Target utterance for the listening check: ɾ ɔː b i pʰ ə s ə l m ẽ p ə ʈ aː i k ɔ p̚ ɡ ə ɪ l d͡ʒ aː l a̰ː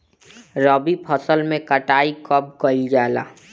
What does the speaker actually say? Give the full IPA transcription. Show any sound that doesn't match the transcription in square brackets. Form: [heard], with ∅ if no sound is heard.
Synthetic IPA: ɾ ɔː b i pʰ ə s ə l m ẽ [k] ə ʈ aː i k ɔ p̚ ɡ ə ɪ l d͡ʒ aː l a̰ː

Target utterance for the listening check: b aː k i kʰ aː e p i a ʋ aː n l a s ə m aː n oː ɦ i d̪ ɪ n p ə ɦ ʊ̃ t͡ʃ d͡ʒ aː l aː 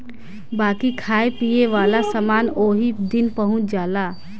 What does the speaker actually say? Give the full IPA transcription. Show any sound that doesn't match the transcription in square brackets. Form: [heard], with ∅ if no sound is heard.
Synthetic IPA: b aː k i kʰ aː e p i [e] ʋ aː [∅] l a s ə m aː n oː ɦ i d̪ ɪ n p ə ɦ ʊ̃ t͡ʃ d͡ʒ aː l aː

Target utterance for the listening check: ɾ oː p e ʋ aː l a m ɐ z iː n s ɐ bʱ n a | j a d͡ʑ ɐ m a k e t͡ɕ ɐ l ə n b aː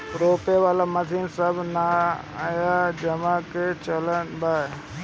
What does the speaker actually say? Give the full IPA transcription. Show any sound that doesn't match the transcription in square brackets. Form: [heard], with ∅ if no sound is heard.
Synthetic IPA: ɾ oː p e ʋ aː l a m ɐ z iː n s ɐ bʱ n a | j a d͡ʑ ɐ m a k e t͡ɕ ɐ l ə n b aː

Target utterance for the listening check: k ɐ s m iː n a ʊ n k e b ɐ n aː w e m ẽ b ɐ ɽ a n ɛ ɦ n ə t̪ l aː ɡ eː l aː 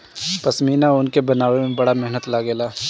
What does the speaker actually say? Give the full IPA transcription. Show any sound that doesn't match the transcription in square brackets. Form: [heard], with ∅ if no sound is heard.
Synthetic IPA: [p] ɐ s m iː n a ʊ n k e b ɐ n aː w e m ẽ b ɐ ɽ a [m] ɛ ɦ n ə t̪ l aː ɡ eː l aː

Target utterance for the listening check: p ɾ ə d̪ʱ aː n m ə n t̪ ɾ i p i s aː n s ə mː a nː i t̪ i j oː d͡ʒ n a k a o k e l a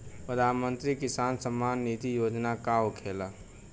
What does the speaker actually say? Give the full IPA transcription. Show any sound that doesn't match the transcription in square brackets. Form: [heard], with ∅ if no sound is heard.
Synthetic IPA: p ɾ ə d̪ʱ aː n m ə n t̪ ɾ i [k] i s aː n s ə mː a nː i t̪ i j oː d͡ʒ n a k a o [kʰ] e l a

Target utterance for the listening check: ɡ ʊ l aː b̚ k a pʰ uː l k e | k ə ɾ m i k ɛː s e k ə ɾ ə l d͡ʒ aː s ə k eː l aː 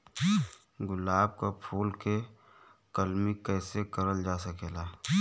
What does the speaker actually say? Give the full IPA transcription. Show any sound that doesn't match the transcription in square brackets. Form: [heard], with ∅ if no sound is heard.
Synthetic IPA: ɡ ʊ l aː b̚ k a pʰ uː l k e | k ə [l] m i k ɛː s e k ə ɾ ə l d͡ʒ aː s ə k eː l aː

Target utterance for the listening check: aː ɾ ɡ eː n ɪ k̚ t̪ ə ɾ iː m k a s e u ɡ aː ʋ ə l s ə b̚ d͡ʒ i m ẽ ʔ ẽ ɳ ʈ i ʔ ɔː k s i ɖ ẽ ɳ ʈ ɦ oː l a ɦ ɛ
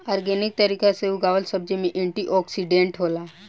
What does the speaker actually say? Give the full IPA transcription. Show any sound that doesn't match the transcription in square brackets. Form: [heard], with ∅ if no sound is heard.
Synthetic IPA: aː ɾ ɡ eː n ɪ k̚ t̪ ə ɾ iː [∅] k a s e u ɡ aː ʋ ə l s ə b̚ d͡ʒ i m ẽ ʔ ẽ ɳ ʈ i ʔ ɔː k s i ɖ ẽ ɳ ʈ ɦ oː l a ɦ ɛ

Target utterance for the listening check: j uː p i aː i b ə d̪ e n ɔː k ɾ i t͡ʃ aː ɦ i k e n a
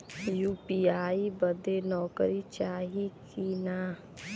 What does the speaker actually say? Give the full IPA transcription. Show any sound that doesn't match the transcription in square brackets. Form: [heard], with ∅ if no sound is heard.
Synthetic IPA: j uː p i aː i b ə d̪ e n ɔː k ɾ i t͡ʃ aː ɦ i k [i] n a

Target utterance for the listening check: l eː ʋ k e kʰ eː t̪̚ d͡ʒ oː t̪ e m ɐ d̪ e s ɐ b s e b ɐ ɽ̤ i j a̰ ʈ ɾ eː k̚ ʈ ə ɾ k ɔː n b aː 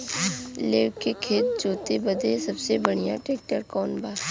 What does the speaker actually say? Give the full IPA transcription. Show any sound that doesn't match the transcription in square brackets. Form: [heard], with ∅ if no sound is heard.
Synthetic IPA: l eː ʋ k e kʰ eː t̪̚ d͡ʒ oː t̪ e [b] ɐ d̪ e s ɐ b s e b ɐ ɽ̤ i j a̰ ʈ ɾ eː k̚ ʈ ə ɾ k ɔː n b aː

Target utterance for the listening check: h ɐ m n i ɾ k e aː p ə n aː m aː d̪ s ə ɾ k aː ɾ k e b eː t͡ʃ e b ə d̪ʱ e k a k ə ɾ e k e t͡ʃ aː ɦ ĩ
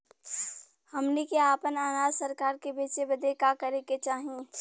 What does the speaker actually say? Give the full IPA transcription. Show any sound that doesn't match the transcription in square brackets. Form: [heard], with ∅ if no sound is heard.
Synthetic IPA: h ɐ m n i [∅] k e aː p ə n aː [n] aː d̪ s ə ɾ k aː ɾ k e b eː t͡ʃ e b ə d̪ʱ e k a k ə ɾ e k e t͡ʃ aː ɦ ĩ

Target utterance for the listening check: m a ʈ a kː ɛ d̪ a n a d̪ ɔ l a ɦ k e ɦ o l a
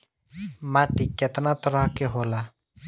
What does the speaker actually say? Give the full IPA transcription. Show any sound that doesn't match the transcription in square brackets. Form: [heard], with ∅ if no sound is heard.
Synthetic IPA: m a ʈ [i] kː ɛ [t̪] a n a [t̪] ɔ [ɾ] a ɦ k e ɦ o l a

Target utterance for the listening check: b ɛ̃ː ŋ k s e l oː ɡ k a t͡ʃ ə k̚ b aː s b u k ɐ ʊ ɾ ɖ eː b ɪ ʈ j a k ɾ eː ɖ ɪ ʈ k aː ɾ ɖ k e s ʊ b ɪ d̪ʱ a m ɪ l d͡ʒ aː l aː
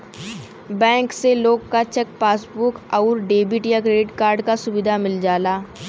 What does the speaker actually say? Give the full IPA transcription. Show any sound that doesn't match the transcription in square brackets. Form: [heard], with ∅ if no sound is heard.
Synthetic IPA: b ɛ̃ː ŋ k s e l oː ɡ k a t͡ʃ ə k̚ [p] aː s b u k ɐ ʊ ɾ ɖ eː b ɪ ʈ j a k ɾ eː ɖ ɪ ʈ k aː ɾ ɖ k [a] s ʊ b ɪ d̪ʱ a m ɪ l d͡ʒ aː l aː

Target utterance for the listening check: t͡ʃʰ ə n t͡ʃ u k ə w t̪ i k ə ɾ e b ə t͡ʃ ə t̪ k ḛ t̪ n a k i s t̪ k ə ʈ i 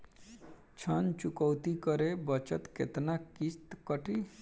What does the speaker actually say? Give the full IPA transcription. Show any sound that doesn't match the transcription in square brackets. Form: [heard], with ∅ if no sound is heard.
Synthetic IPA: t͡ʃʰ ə n t͡ʃ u k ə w t̪ i k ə ɾ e b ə t͡ʃ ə t̪ k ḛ t̪ n a k i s t̪ k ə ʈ i

